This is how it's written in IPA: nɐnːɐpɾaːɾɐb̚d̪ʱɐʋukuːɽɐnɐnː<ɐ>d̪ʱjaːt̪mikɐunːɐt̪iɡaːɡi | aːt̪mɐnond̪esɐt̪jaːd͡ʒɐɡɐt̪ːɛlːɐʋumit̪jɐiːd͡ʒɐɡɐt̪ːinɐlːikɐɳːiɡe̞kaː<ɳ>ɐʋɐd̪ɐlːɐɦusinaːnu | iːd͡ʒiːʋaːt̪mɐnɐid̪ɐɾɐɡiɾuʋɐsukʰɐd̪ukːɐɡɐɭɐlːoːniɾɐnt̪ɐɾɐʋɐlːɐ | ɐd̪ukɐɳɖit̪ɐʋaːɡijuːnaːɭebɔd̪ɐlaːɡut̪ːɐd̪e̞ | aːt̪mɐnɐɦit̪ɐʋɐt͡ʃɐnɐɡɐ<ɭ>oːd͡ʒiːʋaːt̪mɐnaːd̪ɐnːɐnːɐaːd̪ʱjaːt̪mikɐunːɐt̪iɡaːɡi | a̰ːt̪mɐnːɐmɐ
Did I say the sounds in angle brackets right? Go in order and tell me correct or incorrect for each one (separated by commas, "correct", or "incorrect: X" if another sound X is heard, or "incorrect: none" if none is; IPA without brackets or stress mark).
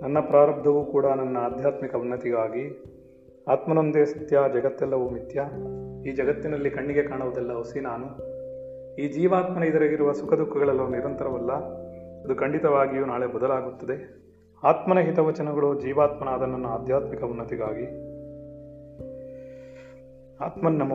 incorrect: ɐː, correct, correct